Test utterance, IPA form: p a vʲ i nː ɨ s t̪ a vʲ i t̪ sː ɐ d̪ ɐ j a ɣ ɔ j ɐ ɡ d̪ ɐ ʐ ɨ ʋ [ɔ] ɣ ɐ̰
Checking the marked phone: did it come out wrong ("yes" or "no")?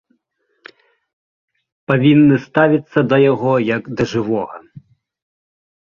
no